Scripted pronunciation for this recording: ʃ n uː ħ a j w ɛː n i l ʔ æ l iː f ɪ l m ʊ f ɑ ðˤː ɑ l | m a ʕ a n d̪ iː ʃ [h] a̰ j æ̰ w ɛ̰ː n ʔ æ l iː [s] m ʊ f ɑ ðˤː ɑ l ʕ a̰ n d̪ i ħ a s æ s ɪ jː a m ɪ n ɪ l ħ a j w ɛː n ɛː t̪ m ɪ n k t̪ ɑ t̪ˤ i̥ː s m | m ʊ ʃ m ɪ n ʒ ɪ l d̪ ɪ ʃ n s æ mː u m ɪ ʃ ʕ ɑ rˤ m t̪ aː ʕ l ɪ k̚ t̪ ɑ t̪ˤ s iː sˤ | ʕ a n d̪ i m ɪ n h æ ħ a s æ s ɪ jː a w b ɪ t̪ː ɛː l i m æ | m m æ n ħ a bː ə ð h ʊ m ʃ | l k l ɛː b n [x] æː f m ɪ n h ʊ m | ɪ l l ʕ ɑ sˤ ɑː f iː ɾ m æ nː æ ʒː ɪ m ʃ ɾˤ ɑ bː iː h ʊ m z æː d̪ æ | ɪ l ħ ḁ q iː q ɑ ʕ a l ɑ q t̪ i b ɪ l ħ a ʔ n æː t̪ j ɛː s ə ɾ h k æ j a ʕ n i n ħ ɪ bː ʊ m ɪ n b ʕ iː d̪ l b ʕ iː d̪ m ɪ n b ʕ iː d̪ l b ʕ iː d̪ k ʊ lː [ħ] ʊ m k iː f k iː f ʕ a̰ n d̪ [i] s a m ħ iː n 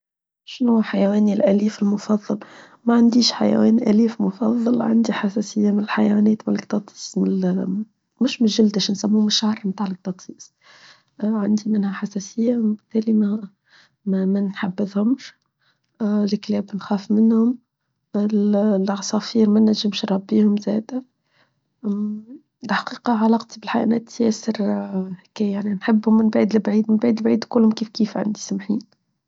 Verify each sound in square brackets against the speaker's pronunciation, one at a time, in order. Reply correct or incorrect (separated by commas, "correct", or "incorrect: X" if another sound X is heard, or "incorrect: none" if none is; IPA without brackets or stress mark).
incorrect: ħ, incorrect: f, correct, incorrect: h, correct